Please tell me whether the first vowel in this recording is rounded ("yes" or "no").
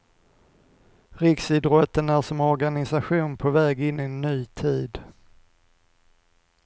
no